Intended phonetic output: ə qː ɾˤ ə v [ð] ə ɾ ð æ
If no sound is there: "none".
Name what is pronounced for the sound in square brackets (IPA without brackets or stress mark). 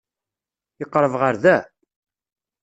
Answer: ʁ